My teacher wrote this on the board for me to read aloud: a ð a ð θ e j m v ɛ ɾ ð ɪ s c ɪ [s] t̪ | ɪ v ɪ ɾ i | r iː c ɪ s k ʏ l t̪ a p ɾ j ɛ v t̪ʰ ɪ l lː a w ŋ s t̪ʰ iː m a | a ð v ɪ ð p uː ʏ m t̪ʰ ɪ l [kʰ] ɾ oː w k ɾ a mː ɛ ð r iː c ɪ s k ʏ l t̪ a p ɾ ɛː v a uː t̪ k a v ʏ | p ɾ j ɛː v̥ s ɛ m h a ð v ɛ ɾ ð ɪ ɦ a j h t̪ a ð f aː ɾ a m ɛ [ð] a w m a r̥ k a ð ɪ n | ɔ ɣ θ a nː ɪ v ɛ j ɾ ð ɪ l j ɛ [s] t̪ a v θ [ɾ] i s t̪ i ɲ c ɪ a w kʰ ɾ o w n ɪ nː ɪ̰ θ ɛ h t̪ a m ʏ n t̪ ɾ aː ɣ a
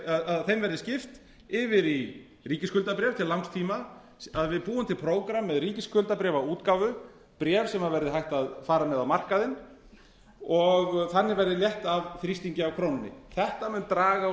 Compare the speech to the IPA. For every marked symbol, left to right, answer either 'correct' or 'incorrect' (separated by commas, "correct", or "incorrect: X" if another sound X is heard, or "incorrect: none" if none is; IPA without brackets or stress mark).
incorrect: f, incorrect: pʰ, correct, incorrect: h, correct